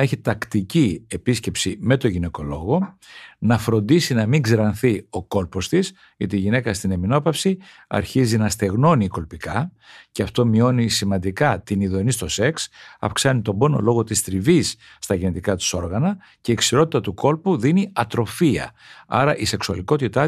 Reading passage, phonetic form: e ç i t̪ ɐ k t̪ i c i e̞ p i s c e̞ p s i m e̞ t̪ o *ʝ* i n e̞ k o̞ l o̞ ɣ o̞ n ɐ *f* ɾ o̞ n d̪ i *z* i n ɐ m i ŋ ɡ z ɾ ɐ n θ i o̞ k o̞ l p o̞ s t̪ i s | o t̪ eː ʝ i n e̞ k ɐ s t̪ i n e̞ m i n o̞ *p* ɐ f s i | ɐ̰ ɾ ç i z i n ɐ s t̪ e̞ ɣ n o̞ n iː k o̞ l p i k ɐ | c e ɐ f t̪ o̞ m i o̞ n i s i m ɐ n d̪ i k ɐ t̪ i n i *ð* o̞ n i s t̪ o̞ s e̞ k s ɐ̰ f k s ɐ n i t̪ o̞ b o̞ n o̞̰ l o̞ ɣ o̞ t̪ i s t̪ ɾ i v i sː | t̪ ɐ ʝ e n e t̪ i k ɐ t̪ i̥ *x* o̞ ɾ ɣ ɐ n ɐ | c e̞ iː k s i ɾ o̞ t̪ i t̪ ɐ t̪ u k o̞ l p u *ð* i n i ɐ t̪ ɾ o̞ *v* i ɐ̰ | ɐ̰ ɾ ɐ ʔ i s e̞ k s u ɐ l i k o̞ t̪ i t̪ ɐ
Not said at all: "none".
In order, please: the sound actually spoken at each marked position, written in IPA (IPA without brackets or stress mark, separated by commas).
ʝ, f, s, p, ð, s, ð, f